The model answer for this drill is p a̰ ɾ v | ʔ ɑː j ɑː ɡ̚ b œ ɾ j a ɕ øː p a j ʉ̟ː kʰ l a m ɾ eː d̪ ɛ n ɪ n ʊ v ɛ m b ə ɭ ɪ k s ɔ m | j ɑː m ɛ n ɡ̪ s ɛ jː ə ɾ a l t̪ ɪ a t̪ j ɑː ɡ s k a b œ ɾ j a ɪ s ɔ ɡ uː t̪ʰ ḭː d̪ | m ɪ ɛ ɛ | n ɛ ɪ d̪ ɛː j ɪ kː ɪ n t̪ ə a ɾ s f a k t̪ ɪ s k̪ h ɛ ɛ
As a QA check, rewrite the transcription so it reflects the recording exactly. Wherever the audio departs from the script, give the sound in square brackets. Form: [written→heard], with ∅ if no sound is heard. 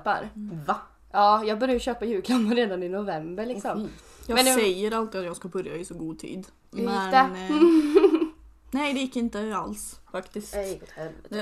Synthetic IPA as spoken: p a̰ ɾ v | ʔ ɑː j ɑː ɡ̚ b œ ɾ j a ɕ øː p a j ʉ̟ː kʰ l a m ɾ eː d̪ [ɛ→a] n ɪ n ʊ v ɛ m b ə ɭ ɪ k s ɔ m | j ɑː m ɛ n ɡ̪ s ɛ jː ə ɾ a l t̪ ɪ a t̪ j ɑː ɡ s k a b œ ɾ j a ɪ s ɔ ɡ uː t̪ʰ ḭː d̪ | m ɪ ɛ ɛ | n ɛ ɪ d̪ [ɛː→ɛ] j ɪ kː ɪ n t̪ ə a [ɾ→l] s f a k t̪ ɪ s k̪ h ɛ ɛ